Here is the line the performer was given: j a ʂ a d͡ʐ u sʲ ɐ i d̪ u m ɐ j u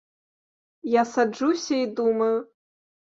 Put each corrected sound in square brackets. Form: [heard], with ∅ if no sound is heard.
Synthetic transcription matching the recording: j a [s] a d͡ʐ u sʲ ɐ i d̪ u m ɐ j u